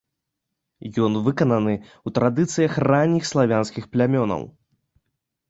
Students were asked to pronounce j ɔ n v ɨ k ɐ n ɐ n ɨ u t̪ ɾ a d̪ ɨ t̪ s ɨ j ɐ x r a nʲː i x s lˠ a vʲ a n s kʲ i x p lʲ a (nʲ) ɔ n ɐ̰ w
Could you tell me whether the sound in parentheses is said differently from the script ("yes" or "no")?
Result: yes